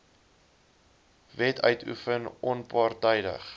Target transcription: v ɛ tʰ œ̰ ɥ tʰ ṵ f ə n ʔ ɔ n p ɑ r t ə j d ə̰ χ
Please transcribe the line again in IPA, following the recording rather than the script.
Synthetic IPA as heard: v ɛ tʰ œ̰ ɥ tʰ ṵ f ə n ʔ ɔ n p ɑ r t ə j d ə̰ χ